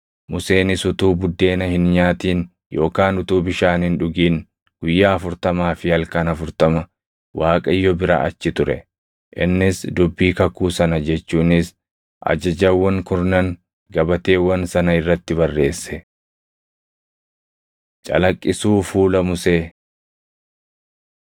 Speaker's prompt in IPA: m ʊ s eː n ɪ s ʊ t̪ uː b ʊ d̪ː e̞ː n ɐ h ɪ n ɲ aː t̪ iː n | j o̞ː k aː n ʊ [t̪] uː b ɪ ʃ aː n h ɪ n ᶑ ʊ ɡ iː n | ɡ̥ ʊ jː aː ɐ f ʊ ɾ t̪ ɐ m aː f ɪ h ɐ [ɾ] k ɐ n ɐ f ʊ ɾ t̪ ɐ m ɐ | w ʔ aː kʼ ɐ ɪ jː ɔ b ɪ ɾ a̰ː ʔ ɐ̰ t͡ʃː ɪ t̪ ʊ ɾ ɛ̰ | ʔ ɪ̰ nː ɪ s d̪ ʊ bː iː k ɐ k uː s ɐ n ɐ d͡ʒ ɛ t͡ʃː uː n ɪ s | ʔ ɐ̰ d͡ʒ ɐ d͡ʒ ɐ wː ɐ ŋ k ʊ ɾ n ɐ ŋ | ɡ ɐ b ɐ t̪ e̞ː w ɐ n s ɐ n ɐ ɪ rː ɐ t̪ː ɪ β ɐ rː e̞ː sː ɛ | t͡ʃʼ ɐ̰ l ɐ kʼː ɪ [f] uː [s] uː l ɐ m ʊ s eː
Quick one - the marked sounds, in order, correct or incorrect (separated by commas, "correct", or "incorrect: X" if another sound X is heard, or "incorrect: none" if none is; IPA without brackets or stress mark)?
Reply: correct, incorrect: l, incorrect: s, incorrect: f